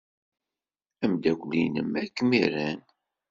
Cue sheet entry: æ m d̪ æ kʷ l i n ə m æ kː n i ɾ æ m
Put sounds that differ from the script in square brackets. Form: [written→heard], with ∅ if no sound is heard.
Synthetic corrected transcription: æ m d̪ æ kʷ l i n ə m æ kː [n→m] i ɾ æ [m→n]